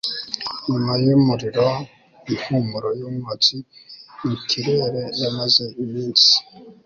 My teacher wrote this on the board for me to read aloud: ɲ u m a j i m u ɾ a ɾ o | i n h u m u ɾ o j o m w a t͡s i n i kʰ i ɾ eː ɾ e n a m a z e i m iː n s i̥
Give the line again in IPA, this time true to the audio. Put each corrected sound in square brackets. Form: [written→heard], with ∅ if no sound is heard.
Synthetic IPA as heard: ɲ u m a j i m u ɾ [a→i] ɾ o | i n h u m u ɾ o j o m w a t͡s i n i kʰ i ɾ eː ɾ e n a m a z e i m iː n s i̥